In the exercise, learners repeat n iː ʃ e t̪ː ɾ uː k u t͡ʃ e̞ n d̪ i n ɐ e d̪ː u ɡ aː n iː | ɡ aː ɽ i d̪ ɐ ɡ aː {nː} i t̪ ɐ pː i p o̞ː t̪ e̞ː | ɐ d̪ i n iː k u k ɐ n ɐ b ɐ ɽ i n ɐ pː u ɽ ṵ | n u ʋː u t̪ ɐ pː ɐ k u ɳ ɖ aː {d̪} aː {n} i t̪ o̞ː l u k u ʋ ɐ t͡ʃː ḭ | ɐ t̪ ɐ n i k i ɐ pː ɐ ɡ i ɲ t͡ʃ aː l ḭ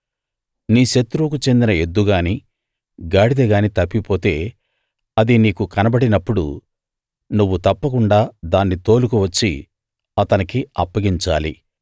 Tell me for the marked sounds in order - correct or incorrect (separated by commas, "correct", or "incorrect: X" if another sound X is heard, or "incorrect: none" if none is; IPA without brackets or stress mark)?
incorrect: n, correct, incorrect: nː